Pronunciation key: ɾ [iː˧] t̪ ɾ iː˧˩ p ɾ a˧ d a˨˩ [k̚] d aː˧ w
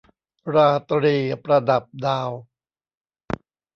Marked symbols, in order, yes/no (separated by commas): no, no